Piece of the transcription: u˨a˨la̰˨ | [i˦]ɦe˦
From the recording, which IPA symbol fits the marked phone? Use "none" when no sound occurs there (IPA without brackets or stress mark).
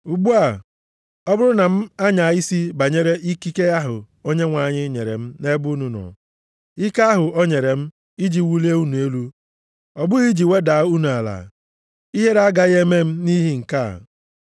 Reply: i˦